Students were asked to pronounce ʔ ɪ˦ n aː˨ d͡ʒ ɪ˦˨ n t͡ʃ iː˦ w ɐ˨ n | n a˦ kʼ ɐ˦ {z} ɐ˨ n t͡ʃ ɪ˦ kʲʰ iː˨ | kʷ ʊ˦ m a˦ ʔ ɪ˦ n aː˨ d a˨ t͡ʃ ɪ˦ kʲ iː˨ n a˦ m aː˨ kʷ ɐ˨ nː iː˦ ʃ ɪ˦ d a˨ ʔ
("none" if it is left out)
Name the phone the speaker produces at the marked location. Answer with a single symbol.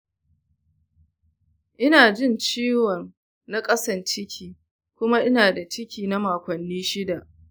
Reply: s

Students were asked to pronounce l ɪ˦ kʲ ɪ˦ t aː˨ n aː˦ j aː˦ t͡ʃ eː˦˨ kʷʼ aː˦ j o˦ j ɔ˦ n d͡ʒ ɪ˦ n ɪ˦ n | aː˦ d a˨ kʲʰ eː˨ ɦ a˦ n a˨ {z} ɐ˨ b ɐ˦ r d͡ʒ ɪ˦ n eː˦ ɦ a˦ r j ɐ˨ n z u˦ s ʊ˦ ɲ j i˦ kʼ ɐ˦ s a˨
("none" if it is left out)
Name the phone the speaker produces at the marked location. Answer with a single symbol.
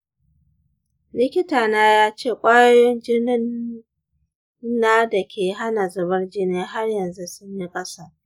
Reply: z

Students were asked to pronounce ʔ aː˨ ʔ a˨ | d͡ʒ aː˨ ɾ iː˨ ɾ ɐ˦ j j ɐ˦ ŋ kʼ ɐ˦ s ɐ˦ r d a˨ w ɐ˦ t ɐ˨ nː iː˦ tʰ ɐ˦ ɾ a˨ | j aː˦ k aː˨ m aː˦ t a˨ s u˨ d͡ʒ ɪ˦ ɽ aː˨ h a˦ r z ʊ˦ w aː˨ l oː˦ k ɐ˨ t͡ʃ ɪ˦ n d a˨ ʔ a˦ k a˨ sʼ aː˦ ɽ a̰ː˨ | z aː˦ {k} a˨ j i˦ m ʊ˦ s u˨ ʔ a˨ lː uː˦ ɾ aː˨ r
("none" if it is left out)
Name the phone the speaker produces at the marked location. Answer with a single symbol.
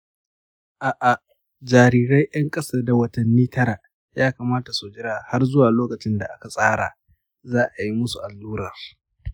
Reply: ʔ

